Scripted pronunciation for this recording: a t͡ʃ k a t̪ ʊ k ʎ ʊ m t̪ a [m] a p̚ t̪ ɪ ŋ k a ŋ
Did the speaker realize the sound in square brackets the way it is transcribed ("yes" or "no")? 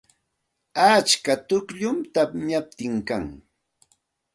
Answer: no